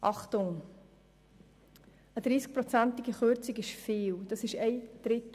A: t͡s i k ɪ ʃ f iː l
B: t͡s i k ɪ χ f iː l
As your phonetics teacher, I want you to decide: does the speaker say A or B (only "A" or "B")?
A